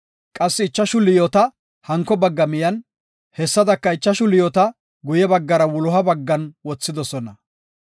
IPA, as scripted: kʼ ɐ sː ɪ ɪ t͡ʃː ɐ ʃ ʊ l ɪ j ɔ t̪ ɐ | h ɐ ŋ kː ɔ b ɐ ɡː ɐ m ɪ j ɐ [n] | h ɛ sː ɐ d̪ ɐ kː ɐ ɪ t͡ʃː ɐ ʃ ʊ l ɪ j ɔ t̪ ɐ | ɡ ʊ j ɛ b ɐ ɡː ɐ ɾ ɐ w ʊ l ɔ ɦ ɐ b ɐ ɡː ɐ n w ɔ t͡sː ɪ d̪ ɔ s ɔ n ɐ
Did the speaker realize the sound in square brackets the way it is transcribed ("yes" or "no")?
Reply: yes